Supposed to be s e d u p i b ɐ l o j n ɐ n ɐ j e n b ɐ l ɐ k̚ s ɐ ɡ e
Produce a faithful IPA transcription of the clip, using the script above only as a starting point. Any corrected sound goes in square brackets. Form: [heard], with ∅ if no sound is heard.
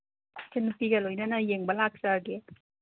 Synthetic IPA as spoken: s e [n] u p i [ɡ] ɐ l o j n ɐ n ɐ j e [ŋ] b ɐ l [a] k̚ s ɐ ɡ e